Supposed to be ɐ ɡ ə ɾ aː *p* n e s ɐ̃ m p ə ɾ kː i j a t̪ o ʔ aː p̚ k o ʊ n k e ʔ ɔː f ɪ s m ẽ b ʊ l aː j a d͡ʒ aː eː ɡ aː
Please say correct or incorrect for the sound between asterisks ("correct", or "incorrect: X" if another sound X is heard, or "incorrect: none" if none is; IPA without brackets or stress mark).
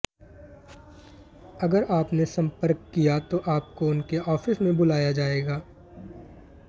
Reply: correct